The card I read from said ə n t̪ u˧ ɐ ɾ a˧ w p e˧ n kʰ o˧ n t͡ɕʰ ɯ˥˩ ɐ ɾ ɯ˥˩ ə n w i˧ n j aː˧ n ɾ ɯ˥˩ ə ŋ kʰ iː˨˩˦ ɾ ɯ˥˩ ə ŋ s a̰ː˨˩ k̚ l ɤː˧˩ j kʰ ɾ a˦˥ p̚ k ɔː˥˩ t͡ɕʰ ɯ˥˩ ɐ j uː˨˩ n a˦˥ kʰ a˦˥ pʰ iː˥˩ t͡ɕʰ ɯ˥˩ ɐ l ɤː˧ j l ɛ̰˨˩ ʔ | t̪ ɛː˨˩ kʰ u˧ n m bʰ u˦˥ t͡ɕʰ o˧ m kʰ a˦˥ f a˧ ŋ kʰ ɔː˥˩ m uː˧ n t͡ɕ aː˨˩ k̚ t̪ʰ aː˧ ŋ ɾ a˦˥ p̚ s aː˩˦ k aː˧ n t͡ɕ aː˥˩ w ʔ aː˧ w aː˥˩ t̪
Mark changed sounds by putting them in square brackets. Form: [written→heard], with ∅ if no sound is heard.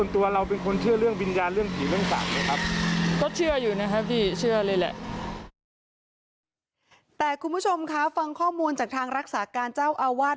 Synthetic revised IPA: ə n t̪ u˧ ɐ ɾ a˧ w p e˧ n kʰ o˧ n t͡ɕʰ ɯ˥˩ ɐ ɾ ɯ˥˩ ə [n→ŋ] w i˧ n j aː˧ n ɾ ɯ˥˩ ə ŋ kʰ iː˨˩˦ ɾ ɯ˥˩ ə ŋ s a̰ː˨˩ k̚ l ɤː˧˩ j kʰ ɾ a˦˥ p̚ k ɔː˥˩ t͡ɕʰ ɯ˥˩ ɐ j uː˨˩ n a˦˥ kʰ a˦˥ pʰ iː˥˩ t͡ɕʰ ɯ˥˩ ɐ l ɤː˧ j l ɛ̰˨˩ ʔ | t̪ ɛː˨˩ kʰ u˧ n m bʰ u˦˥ t͡ɕʰ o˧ m kʰ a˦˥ f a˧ ŋ kʰ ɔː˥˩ m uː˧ n t͡ɕ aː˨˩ k̚ t̪ʰ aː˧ ŋ ɾ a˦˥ [p̚→k̚] s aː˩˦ k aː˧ n t͡ɕ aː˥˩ w ʔ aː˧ w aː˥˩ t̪